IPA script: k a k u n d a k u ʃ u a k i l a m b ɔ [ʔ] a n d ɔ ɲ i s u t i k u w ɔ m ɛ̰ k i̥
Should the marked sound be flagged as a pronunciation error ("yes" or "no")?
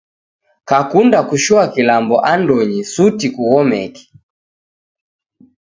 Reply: no